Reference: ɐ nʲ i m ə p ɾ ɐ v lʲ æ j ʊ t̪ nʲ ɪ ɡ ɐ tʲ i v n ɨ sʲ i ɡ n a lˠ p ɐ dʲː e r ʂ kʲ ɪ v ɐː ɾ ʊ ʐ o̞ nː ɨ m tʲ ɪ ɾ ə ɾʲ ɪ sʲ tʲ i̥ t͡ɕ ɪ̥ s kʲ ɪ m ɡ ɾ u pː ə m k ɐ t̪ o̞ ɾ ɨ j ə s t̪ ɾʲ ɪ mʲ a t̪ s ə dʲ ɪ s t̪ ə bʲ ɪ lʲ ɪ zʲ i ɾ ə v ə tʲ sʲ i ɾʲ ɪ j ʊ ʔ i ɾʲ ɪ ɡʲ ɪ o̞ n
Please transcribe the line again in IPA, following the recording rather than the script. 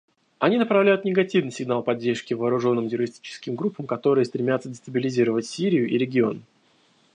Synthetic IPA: ɐ nʲ i n ə p ɾ ɐ v lʲ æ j ʊ t̪ nʲ ɪ ɡ ɐ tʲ i v n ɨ sʲ ɪ ɡ n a lˠ p ɐ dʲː e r ʂ kʲ ɪ v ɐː ɾ ʊ ʐ o̞ nː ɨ m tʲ ɪ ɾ ə ɾʲ ɪ sʲ tʲ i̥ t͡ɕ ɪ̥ s kʲ ɪ m ɡ ɾ u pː ə m k ɐ t̪ o̞ ɾ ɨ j ə s t̪ ɾʲ ɪ mʲ a t̪ s ə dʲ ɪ s t̪ ə bʲ ɪ lʲ ɪ zʲ i ɾ ə v ə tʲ sʲ i ɾʲ ɪ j ʊ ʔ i ɾʲ ɪ ɡʲ ɪ o̞ n